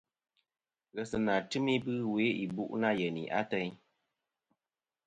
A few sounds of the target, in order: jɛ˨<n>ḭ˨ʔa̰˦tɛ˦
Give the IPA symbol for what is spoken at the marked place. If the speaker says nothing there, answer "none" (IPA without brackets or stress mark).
n